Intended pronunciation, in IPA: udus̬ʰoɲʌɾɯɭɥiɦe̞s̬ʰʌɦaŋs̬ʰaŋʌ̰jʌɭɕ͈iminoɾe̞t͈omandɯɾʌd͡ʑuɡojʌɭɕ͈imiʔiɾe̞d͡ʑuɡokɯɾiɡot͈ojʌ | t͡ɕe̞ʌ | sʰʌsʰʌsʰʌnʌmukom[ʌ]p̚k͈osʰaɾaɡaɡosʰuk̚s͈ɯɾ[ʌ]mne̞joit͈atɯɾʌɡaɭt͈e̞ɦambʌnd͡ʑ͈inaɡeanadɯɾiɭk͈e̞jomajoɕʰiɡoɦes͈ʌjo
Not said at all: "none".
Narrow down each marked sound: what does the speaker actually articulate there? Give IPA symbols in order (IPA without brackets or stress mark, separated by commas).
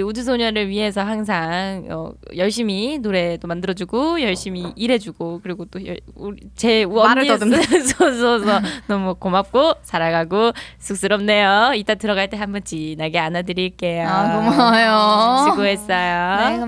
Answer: a, ʌ